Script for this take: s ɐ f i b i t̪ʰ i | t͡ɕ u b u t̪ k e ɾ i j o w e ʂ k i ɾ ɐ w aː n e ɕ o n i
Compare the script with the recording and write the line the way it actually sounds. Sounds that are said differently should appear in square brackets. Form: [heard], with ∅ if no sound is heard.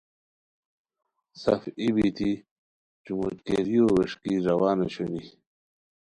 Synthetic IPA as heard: s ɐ f i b i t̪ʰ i | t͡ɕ u [m] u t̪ k e ɾ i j o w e ʂ k i ɾ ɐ w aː n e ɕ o n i